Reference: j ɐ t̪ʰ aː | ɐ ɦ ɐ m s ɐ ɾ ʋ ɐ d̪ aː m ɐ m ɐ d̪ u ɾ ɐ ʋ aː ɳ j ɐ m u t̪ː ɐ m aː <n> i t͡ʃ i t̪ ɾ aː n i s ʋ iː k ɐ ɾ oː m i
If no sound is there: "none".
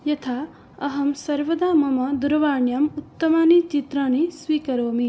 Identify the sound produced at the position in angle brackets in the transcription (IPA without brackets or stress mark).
n